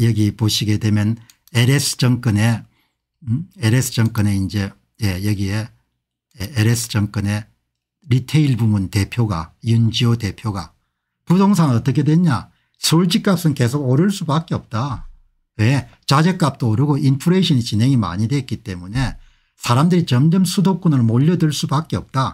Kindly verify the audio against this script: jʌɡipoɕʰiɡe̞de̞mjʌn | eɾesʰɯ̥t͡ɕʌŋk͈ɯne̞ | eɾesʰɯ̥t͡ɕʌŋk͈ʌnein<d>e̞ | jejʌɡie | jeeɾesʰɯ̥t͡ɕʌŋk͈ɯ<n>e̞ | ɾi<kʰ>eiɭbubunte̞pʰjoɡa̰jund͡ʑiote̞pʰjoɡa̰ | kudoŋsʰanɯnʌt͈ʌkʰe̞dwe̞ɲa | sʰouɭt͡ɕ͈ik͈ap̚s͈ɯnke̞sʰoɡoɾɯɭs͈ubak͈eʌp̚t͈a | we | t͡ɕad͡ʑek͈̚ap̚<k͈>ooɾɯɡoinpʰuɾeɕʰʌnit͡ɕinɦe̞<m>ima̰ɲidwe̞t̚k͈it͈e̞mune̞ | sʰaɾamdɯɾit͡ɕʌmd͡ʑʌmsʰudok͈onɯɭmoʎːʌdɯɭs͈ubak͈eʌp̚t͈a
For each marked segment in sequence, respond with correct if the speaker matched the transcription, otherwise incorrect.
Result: incorrect: d͡ʑ, correct, incorrect: tʰ, incorrect: t͈, incorrect: ŋ

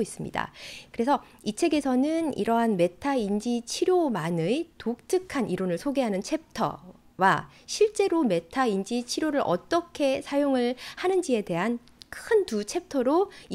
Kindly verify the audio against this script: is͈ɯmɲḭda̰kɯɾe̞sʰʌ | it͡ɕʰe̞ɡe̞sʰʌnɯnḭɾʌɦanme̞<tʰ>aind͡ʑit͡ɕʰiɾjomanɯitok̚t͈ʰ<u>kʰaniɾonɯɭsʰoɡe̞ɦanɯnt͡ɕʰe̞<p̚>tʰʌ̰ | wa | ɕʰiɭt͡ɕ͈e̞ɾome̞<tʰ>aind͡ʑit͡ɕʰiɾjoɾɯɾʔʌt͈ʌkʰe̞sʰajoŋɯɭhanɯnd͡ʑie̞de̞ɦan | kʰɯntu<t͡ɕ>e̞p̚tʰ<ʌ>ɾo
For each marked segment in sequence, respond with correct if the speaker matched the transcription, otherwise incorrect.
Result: correct, incorrect: ɯ, correct, correct, incorrect: t͡ɕʰ, correct

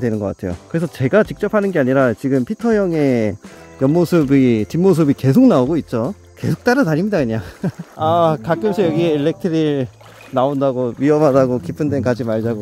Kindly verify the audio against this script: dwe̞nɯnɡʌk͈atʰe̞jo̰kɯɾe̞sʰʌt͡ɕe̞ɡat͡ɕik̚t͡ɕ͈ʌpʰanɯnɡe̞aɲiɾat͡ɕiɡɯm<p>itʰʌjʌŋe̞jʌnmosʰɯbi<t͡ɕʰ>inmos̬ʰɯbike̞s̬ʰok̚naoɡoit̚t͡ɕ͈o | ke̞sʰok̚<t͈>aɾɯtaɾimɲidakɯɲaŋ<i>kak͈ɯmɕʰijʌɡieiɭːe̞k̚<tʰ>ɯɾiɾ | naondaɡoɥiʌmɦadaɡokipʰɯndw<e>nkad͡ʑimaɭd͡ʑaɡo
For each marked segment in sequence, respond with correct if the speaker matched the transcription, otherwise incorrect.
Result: incorrect: pʰ, incorrect: t͡ɕ, correct, incorrect: a, correct, correct

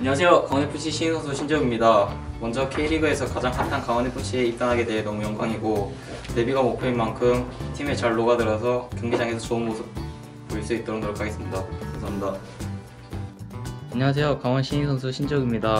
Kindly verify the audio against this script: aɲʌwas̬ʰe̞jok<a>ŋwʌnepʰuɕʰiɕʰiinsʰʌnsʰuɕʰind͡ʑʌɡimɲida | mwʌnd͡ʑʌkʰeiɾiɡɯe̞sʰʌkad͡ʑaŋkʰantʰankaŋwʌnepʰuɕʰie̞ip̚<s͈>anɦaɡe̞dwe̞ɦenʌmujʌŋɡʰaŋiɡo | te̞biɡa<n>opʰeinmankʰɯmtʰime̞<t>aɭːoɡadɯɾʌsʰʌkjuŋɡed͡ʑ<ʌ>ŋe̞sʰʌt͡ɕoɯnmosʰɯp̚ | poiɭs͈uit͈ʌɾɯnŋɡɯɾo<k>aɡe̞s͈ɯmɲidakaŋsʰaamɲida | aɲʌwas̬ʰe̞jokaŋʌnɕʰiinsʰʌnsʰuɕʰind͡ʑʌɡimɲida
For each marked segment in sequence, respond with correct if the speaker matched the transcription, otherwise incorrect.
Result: correct, incorrect: t͈, incorrect: m, incorrect: t͡ɕ, incorrect: a, incorrect: kʰ

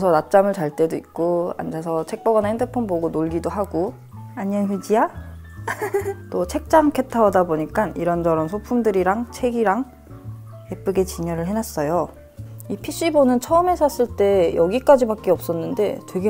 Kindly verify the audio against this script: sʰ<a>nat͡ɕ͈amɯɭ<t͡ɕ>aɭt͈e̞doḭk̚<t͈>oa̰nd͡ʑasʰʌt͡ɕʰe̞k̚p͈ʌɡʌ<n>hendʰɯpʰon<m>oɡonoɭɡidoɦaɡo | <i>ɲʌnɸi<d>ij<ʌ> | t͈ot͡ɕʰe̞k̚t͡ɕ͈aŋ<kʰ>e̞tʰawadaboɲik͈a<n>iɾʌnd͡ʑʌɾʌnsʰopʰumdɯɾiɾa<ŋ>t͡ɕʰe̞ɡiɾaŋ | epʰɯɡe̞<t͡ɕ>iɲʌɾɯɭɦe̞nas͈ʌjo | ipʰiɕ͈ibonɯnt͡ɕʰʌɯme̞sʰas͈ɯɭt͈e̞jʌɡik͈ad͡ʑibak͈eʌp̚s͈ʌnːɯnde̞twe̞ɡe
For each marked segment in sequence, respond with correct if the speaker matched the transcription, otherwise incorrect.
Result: incorrect: ʌ, correct, incorrect: k͈, correct, incorrect: b, incorrect: a, incorrect: d͡ʑ, incorrect: a, correct, correct, correct, correct

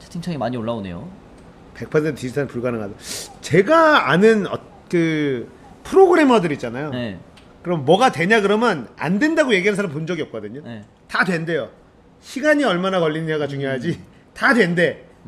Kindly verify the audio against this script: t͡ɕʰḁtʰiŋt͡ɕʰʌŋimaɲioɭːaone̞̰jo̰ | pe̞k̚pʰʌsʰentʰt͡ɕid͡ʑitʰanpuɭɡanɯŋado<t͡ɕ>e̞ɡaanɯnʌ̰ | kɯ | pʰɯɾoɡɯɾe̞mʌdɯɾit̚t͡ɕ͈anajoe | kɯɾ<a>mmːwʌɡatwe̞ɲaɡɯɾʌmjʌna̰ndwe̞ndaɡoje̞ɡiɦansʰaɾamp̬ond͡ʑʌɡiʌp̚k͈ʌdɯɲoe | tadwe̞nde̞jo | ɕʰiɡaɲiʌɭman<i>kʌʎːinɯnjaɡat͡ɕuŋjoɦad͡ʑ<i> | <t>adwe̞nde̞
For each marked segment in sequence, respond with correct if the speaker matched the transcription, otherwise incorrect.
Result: correct, incorrect: ʌ, incorrect: a, correct, correct

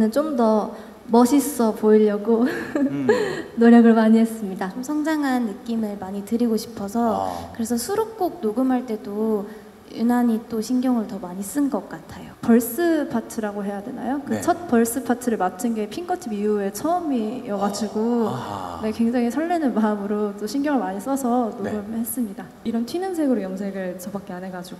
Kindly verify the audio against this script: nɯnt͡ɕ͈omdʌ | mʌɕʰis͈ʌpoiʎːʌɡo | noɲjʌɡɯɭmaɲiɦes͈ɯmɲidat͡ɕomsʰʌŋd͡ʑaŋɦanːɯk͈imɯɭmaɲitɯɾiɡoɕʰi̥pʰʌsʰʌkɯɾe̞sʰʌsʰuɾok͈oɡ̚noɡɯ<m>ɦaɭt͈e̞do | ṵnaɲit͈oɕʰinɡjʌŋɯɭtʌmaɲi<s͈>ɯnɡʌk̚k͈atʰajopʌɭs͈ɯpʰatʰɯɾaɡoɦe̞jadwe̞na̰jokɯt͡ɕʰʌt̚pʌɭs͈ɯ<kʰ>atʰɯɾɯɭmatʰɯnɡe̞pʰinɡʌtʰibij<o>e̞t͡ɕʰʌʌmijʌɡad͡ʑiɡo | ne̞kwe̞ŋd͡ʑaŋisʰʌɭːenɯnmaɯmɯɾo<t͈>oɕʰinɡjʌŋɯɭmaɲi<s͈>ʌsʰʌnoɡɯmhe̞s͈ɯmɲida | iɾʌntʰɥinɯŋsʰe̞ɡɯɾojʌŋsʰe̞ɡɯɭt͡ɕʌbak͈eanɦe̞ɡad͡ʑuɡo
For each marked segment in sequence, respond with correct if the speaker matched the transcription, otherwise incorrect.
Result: correct, correct, incorrect: pʰ, incorrect: u, correct, correct

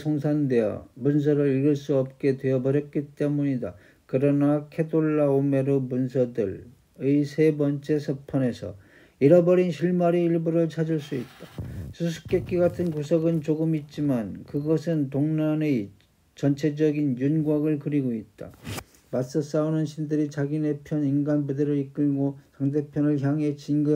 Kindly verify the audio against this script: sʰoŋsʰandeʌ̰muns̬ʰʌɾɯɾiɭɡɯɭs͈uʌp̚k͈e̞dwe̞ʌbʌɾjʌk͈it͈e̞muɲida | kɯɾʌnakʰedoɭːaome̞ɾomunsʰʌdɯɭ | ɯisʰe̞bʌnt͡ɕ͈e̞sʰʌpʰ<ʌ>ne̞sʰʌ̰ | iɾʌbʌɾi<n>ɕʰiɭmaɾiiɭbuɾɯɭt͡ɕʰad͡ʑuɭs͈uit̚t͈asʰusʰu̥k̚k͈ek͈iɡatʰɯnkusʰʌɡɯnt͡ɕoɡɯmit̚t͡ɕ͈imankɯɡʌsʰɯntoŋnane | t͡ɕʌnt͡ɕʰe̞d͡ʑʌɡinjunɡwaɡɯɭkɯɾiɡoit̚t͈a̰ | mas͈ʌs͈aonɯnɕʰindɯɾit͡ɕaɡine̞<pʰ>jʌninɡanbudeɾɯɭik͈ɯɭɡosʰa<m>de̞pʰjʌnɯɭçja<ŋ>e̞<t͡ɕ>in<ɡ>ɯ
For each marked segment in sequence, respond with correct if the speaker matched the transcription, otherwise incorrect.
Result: correct, correct, correct, incorrect: ŋ, correct, correct, correct

